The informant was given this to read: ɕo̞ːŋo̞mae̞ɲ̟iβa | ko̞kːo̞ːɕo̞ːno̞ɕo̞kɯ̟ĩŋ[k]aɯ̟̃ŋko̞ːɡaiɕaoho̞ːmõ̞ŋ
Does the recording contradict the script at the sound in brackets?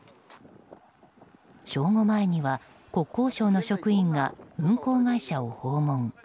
yes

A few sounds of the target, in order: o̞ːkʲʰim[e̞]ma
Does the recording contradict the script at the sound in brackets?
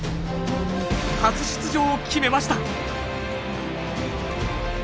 no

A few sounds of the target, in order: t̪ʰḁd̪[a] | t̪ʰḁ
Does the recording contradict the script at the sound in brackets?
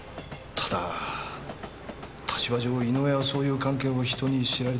no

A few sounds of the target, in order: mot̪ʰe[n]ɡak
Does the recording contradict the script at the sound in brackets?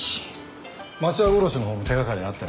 yes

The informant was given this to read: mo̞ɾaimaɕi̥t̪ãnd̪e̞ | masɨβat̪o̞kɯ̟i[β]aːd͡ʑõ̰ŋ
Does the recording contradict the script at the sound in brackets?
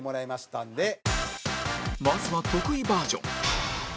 yes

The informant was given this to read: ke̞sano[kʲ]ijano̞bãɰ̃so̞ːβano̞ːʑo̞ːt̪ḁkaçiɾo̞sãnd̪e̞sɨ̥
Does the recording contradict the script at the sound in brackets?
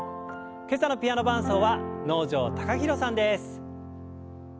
yes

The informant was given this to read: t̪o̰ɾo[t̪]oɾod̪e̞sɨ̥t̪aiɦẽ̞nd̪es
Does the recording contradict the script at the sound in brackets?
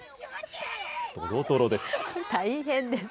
no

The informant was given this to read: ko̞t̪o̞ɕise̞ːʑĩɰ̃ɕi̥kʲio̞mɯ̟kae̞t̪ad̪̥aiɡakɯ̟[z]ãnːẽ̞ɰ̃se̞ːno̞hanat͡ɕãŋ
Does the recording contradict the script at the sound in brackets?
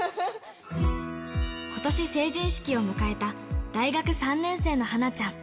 yes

